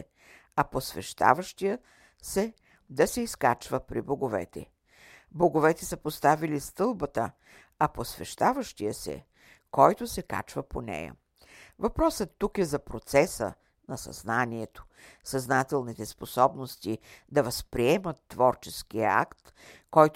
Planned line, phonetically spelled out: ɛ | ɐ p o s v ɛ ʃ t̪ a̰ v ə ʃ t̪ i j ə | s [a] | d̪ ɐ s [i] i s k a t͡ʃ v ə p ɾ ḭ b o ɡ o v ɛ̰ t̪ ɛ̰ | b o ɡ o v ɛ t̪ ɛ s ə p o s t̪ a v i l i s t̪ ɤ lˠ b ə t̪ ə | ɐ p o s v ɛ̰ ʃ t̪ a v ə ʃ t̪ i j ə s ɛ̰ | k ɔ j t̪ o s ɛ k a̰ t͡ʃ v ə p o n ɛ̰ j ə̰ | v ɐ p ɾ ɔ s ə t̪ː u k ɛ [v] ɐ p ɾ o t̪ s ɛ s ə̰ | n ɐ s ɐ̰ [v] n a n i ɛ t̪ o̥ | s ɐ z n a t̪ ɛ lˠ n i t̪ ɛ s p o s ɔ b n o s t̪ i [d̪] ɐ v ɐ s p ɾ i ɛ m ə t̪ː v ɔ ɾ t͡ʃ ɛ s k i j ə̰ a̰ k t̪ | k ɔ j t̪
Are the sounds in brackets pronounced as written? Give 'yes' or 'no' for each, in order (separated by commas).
no, no, no, no, yes